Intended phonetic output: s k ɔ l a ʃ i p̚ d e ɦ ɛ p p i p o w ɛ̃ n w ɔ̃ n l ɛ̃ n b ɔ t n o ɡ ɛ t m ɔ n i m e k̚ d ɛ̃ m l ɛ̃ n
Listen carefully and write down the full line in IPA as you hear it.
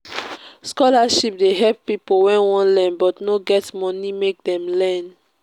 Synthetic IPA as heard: s k ɔ l a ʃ i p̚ d e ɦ ɛ p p i p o w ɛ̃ n w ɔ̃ n l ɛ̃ n b ɔ t n o ɡ ɛ t m ɔ n i m e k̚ d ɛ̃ m l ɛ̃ n